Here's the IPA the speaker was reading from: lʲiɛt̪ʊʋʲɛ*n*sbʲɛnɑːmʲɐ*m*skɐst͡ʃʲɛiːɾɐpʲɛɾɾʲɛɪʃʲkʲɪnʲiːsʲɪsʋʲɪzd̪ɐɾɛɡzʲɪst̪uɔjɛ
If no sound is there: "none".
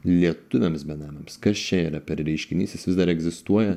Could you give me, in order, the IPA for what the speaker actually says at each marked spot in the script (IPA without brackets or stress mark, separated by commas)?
m, m